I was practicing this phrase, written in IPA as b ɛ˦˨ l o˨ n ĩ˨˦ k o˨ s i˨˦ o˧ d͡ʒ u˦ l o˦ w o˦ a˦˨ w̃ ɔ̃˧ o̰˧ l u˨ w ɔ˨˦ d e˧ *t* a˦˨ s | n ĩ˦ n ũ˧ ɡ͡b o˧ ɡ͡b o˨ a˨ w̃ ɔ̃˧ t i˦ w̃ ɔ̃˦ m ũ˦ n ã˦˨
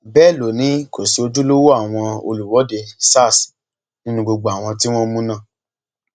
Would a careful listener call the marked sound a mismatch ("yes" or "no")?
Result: yes